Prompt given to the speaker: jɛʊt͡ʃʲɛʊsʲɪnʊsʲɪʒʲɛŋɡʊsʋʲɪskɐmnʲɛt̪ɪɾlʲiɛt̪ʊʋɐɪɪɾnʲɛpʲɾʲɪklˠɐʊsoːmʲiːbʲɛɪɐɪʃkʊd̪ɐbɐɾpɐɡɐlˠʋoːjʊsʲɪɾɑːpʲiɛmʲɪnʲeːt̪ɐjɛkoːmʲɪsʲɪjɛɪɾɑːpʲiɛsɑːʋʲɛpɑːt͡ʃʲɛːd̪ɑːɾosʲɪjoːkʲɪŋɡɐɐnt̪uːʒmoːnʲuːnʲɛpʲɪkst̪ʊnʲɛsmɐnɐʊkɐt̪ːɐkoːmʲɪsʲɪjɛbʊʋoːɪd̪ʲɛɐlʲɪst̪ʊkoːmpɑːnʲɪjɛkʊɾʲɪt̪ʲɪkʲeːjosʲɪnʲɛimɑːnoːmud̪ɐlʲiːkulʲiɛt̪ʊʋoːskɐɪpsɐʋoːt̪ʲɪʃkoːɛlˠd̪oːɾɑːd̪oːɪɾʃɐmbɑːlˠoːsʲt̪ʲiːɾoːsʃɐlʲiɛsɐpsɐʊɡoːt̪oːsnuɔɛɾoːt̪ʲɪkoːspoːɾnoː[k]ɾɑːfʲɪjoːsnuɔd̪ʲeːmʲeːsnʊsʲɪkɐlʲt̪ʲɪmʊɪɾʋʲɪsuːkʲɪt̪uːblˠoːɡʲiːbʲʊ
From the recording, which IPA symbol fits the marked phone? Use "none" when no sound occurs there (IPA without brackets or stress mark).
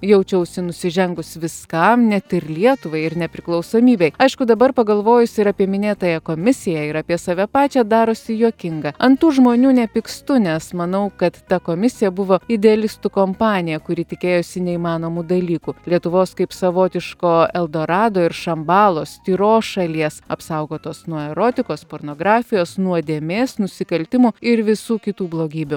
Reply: ɡ